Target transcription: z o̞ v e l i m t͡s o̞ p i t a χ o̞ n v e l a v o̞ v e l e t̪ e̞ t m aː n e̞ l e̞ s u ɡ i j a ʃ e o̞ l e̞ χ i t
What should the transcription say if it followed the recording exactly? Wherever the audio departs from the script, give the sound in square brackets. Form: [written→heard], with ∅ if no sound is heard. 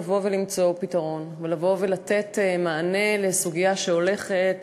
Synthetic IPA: [z→v] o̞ v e l i m t͡s o̞ p i t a [χ→ʁ] o̞ n v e l a v o̞ v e l [e→a] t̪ e̞ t m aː n e̞ l e̞ s u ɡ i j a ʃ e o̞ l e̞ χ [i→e] t